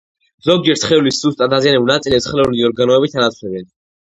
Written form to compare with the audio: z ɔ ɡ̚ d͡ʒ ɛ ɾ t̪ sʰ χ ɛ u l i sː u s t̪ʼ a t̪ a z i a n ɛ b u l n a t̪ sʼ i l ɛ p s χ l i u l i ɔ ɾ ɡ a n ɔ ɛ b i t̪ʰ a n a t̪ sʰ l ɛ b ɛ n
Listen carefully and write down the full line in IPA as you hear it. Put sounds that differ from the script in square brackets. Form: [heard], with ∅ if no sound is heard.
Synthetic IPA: z ɔ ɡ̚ d͡ʒ ɛ ɾ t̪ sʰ χ ɛ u l i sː u s t̪ʼ a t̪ a z i a n ɛ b u l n a t̪ sʼ i l ɛ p s χ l [ɛ] u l i ɔ ɾ ɡ a n ɔ ɛ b i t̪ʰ a n a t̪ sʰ l ɛ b ɛ n